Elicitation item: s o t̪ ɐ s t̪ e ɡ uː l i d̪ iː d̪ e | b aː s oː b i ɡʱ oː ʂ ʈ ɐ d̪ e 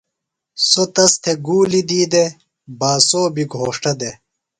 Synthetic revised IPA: s o t̪ ɐ s t̪ʰ e ɡ uː l i d̪ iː d̪ e | b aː s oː b i ɡʱ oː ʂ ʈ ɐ d̪ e